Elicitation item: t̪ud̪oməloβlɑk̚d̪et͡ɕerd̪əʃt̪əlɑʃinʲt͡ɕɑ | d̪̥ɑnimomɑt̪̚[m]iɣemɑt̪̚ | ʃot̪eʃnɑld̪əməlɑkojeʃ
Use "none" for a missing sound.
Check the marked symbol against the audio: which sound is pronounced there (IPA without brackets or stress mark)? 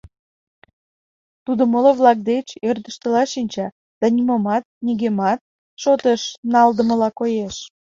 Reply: n